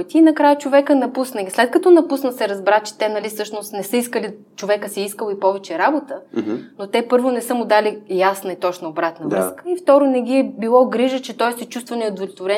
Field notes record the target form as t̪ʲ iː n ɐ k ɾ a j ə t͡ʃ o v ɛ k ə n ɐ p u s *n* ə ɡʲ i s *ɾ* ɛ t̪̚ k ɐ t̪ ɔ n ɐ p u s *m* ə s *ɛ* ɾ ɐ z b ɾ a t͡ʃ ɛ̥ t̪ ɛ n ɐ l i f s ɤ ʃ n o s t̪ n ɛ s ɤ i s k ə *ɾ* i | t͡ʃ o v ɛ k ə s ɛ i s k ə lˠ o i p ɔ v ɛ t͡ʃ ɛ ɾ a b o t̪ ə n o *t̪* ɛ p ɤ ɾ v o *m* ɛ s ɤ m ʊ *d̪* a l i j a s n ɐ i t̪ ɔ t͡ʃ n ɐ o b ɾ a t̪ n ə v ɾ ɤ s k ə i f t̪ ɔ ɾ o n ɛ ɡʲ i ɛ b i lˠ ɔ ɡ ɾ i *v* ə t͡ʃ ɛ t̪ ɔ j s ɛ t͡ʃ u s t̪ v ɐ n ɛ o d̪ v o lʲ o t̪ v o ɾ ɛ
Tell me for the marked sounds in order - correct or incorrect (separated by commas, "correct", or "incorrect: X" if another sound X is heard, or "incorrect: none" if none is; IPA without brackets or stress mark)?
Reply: correct, incorrect: l, incorrect: n, correct, incorrect: l, correct, incorrect: n, correct, incorrect: ʒ